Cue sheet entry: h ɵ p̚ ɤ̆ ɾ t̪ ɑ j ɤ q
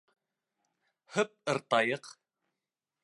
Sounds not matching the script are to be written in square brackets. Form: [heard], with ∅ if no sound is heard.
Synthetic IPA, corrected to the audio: h ɵ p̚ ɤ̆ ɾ t̪ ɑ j ɤ q